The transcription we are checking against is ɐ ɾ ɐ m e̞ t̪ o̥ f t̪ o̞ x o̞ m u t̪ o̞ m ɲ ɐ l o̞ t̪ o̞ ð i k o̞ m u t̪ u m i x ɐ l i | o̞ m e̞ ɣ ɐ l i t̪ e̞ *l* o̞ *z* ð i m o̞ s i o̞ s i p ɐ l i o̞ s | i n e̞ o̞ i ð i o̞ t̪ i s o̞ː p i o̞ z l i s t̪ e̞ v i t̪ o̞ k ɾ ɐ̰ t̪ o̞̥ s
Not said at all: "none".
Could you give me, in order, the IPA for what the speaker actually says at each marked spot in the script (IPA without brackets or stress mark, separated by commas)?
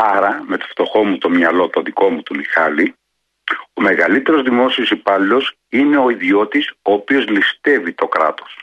ɾ, z